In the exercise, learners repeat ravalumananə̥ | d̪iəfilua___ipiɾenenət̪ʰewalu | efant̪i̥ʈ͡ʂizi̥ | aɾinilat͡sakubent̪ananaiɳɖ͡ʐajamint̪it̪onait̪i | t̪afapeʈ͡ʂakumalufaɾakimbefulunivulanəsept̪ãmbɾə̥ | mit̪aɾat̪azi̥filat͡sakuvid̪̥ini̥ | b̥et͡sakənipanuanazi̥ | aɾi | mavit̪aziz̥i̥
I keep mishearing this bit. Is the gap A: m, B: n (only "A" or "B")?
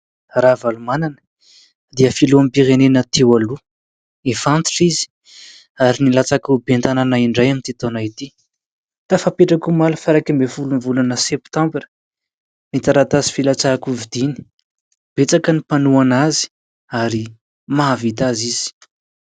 A